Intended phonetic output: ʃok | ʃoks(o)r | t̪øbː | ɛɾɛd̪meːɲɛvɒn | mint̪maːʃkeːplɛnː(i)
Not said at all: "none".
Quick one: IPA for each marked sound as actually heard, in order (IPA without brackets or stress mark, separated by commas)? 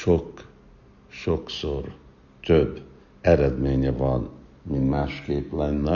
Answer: o, ɛ